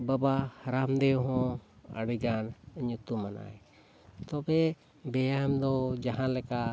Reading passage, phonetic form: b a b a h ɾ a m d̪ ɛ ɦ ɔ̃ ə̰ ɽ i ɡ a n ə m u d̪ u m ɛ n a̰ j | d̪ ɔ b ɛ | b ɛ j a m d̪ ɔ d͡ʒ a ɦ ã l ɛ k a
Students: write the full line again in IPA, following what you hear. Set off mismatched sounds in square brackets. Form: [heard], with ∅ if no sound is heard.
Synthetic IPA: b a b a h ɾ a m d̪ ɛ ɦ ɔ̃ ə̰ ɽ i ɡ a n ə [ɲ] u [t̪] u m [a] n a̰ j | [t̪] ɔ b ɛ | b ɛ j a m d̪ ɔ d͡ʒ a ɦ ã l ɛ k a